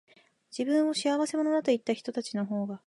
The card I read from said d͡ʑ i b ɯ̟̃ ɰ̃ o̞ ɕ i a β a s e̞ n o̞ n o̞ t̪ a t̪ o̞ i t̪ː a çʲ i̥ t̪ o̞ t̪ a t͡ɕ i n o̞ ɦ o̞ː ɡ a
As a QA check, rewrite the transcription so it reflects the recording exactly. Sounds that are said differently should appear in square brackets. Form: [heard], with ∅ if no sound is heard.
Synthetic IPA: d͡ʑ i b ɯ̟̃ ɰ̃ o̞ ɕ i a β a s e̞ [m] o̞ n o̞ [d̪] a t̪ o̞ i t̪ː a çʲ i̥ t̪ o̞ t̪ a t͡ɕ i n o̞ ɦ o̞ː ɡ a